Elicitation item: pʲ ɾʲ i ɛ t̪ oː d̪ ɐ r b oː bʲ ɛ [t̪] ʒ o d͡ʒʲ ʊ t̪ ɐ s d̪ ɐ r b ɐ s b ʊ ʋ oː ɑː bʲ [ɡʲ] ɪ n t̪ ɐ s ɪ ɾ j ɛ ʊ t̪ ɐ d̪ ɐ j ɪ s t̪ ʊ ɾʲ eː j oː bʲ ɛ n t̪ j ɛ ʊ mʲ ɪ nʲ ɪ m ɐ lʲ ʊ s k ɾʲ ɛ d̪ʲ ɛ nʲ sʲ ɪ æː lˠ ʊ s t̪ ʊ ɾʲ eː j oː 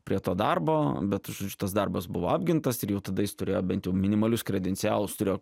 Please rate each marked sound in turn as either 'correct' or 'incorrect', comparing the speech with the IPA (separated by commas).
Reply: correct, correct